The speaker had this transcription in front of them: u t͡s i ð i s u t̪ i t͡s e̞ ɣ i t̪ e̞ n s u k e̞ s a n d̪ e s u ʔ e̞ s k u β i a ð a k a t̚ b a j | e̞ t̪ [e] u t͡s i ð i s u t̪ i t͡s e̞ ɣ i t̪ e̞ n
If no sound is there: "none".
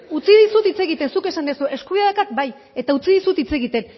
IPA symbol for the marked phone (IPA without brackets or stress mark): a